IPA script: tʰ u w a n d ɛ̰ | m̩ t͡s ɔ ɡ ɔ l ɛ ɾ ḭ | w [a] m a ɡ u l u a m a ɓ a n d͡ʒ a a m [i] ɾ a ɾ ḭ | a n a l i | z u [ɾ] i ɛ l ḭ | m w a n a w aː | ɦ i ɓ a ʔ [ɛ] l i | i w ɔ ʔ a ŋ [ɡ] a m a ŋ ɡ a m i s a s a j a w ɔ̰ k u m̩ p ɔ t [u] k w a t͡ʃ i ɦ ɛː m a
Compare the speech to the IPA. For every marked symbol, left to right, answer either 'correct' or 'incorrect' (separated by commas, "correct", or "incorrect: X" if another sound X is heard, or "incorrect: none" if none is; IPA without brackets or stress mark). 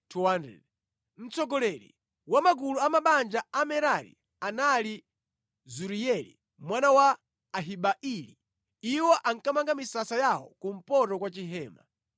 correct, incorrect: ɛ, correct, incorrect: i, incorrect: k, incorrect: ɔ